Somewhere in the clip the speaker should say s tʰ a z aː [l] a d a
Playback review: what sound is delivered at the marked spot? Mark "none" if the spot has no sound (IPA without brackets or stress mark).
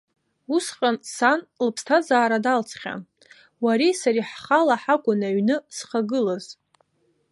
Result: ɾ